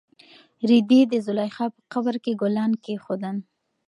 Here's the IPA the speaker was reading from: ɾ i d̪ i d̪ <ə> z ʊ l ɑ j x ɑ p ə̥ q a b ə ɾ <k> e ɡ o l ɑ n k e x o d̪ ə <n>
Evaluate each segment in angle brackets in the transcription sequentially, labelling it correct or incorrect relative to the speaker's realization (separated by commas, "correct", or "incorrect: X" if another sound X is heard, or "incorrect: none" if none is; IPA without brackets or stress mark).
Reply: correct, correct, correct